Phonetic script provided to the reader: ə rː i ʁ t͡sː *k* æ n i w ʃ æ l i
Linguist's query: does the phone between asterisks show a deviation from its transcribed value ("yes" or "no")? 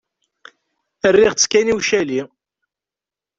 no